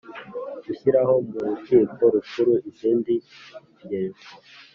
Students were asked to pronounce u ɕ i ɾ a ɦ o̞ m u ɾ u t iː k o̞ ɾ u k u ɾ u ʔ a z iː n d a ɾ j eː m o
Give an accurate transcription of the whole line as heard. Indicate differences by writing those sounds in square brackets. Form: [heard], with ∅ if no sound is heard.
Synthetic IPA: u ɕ i ɾ a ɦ o̞ m u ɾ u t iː k o̞ ɾ u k u ɾ u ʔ [i] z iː n d [i] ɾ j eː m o